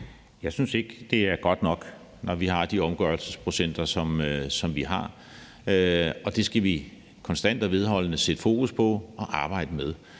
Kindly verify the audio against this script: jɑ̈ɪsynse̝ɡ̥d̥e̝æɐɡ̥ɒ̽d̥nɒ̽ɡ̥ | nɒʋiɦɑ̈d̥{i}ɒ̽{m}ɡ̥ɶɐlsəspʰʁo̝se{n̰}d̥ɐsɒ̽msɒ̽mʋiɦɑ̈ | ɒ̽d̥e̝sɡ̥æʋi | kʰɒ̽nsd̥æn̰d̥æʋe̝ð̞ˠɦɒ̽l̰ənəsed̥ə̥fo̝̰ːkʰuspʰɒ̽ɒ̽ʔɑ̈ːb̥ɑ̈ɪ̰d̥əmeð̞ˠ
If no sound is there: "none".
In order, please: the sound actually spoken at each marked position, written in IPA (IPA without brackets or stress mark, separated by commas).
i, m, n̰